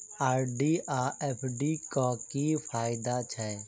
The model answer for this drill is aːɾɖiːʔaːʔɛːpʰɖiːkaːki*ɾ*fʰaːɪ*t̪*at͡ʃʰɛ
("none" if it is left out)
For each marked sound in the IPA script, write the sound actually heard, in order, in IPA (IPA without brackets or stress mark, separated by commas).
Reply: none, d̪